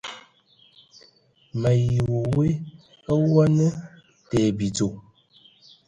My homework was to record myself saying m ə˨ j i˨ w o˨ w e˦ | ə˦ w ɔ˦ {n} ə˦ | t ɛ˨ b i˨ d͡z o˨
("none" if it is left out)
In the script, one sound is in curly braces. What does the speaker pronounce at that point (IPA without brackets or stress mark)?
n